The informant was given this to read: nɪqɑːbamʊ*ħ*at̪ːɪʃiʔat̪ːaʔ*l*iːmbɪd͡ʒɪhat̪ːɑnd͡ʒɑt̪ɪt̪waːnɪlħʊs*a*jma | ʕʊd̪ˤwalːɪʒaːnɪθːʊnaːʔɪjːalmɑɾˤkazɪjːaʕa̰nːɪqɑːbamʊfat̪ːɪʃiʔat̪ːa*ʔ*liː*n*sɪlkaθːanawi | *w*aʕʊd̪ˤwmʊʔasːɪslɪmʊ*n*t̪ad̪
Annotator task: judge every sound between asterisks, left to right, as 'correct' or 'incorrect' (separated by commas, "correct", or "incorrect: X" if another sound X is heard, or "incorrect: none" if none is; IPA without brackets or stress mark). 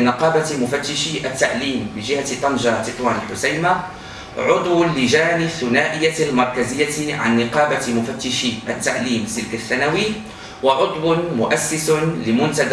incorrect: f, correct, correct, correct, incorrect: m, correct, correct